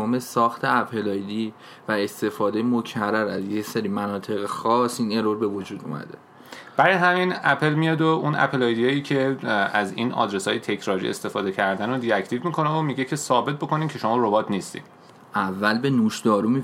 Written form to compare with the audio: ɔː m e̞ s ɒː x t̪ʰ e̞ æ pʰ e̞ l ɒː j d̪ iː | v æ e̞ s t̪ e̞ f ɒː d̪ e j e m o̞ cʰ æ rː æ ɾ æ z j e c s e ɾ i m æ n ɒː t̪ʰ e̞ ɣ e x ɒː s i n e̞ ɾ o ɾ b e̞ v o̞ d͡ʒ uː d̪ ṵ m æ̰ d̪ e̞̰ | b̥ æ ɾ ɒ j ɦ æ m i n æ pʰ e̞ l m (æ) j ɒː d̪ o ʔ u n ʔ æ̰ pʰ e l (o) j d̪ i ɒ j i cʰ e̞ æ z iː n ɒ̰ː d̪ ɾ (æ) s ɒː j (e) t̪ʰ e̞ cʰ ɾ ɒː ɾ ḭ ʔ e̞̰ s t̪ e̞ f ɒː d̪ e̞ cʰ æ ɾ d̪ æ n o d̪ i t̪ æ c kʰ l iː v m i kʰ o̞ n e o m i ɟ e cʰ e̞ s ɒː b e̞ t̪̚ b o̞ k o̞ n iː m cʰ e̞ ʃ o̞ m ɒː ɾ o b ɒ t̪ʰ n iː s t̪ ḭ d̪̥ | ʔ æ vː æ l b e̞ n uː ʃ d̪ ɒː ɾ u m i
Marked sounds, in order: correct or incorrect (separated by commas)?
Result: incorrect, incorrect, incorrect, correct